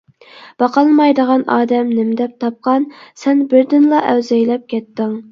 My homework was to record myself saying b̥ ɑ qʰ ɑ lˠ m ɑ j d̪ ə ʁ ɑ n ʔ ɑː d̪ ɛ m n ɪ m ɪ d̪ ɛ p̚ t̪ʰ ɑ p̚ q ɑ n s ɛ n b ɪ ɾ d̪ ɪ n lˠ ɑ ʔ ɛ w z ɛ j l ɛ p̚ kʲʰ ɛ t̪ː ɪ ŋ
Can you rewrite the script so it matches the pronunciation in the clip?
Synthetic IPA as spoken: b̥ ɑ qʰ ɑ lˠ m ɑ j d̪ ə ʁ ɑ n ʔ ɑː d̪ ɛ m n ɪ m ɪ d̪ ɛ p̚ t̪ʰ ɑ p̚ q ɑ n s ɛ n b ɪ ɾ d̪ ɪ n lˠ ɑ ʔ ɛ w z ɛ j l ɛ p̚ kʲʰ ɛ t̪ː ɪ ŋ